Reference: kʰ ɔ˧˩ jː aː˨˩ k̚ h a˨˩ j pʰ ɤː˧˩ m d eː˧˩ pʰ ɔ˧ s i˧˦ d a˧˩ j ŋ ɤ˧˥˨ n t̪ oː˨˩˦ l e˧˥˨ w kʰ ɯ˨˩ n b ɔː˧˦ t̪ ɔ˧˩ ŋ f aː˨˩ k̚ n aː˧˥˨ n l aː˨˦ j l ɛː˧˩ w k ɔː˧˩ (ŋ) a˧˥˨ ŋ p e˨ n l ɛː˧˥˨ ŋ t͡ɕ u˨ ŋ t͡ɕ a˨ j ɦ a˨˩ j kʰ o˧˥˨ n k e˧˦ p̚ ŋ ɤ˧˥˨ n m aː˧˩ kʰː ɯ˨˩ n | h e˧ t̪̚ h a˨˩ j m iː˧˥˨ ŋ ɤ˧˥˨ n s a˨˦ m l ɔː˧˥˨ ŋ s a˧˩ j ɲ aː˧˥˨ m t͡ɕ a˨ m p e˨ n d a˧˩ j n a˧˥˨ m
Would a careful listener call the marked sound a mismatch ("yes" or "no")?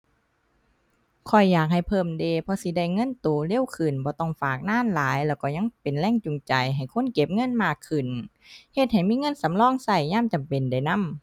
yes